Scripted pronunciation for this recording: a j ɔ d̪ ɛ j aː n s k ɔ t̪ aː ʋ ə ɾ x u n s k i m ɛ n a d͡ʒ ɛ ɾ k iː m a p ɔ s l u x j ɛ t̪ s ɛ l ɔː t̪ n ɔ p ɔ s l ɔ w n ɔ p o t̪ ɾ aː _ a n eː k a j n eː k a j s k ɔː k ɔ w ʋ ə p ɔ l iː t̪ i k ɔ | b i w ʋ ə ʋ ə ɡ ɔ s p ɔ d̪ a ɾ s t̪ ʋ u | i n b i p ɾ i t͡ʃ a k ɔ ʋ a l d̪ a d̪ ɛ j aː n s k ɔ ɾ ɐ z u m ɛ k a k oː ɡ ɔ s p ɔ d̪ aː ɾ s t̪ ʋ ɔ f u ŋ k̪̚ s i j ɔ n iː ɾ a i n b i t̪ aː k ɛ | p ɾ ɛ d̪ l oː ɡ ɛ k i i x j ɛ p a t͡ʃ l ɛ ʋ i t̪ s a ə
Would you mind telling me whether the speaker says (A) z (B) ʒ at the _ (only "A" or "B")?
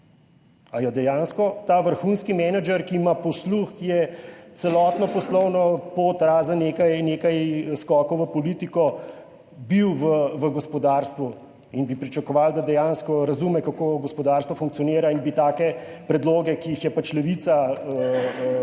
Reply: A